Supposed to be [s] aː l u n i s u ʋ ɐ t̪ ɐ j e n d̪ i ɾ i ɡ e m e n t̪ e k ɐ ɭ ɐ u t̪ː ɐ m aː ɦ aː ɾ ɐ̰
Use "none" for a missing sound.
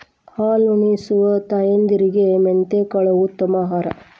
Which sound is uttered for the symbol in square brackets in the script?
h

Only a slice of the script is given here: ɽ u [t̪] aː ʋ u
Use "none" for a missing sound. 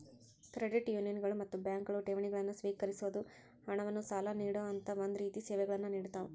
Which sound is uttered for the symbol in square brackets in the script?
t̪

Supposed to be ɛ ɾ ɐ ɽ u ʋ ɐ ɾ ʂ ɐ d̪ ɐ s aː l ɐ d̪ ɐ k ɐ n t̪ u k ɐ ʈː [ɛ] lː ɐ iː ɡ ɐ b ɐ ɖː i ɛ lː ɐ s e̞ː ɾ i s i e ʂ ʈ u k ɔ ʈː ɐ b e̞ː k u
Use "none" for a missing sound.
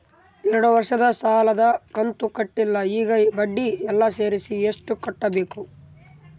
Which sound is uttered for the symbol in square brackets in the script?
i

